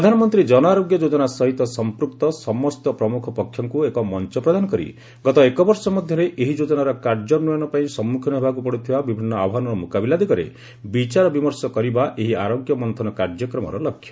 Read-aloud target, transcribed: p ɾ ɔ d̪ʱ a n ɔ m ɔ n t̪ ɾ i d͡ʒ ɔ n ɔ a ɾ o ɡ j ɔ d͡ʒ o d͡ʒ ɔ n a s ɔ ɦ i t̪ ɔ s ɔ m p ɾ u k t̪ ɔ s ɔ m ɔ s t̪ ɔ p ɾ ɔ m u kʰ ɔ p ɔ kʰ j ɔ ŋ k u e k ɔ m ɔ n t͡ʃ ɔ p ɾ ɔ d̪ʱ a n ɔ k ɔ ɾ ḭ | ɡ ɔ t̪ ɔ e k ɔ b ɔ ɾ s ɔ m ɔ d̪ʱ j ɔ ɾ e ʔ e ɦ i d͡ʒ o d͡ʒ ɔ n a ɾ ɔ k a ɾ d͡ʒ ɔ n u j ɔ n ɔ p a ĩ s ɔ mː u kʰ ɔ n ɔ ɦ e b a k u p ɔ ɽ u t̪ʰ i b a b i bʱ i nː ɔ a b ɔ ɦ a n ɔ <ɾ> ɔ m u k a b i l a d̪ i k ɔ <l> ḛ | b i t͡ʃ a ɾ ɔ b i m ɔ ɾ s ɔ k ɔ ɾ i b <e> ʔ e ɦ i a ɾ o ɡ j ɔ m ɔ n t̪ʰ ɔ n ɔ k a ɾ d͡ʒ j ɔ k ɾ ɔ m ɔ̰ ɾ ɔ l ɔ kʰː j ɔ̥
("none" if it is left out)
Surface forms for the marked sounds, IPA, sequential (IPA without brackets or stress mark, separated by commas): ɾ, ɾ, a